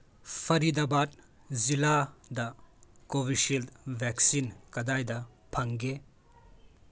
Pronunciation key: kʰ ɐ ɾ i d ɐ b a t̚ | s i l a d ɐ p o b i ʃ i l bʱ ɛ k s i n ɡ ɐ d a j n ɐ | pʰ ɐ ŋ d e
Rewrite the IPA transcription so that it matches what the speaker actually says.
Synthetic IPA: pʰ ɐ ɾ i d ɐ b a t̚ | z i l a d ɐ k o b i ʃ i l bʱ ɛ k s i n k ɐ d a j d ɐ | pʰ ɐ ŋ ɡ e